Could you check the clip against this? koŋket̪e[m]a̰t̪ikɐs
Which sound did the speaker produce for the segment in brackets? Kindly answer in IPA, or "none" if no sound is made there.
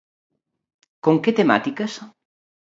m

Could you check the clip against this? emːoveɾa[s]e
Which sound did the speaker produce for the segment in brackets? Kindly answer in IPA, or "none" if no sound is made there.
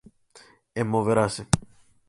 s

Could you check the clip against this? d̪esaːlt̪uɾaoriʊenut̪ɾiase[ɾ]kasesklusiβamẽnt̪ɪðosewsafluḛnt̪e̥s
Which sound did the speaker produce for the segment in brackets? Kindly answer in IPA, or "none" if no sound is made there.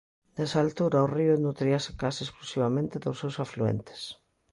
none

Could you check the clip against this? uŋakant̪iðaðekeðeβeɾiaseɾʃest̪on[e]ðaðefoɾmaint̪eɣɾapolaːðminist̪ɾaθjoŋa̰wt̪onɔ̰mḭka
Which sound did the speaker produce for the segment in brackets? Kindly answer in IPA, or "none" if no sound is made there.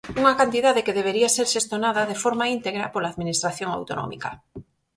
a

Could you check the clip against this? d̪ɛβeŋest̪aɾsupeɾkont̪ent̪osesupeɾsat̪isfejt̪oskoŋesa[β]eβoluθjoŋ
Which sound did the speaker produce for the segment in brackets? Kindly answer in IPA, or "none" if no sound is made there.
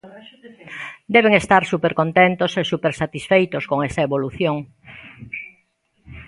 none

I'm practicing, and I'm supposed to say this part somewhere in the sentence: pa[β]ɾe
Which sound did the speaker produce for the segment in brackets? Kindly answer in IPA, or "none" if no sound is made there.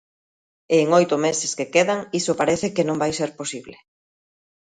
none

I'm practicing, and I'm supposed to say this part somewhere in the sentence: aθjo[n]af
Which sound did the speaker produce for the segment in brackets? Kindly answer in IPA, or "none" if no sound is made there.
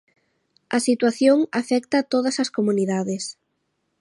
ŋ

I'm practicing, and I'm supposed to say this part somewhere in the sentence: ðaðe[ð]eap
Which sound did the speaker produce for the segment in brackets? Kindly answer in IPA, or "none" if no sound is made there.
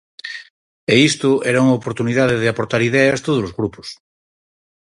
ð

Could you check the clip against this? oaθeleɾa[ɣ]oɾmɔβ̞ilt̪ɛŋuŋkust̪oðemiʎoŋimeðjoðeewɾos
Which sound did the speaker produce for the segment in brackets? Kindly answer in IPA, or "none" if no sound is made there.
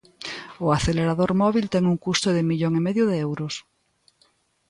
ð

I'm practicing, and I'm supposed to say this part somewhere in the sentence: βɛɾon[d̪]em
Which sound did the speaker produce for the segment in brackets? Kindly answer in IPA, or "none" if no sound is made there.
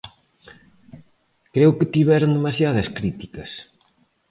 d̪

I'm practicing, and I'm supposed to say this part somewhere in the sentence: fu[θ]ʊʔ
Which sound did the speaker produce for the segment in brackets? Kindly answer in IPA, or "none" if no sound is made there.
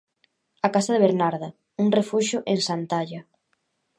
ʃ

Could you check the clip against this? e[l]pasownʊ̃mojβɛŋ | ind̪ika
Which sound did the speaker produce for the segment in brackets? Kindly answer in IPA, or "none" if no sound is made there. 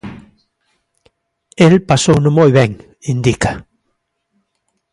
l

